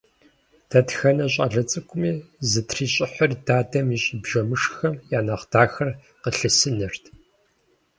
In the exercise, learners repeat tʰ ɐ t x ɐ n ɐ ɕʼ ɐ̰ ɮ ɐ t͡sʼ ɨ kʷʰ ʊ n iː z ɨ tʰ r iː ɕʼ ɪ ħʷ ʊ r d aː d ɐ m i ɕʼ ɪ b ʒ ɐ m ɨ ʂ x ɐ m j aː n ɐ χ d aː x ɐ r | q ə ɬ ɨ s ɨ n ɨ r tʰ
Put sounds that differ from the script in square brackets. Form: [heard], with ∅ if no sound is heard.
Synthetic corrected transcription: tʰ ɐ t x ɐ n ɐ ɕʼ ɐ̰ ɮ ɐ t͡sʼ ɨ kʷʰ ʊ [m] iː z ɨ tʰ r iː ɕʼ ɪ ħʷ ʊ r d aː d ɐ m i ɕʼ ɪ b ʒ ɐ m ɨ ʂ x ɐ m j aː n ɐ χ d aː x ɐ r | q ə ɬ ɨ s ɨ n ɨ r tʰ